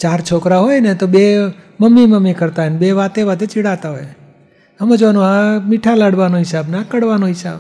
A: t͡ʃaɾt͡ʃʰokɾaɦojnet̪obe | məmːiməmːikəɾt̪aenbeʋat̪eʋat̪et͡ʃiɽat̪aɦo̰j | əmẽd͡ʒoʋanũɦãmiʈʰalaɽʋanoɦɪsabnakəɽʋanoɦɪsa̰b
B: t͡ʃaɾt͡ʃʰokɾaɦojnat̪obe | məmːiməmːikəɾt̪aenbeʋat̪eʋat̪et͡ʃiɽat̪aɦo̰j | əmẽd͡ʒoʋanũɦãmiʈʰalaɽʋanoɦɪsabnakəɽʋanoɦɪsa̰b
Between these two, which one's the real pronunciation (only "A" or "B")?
A